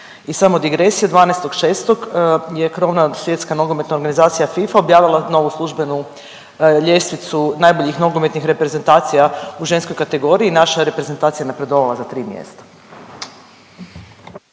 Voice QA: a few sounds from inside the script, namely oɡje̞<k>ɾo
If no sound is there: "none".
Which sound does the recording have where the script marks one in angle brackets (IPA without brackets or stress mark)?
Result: k